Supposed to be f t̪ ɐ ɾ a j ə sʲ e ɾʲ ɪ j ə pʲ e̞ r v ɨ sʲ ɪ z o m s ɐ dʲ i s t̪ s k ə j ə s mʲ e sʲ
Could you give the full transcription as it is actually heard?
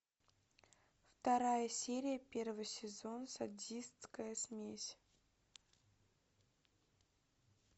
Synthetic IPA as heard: f t̪ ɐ ɾ a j ə sʲ e ɾʲ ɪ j ə pʲ e̞ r v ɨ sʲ ɪ z o n s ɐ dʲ i s t̪ s k ə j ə s mʲ e sʲ